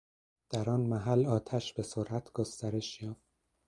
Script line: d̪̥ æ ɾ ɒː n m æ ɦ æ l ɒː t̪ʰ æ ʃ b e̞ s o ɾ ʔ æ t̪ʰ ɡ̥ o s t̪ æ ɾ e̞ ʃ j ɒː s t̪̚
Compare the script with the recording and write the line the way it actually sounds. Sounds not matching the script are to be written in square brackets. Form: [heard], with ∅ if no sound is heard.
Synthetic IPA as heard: d̪̥ æ ɾ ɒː n m æ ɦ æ l ɒː t̪ʰ æ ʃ b e̞ s o ɾ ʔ æ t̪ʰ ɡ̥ o s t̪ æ ɾ e̞ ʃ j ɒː [f] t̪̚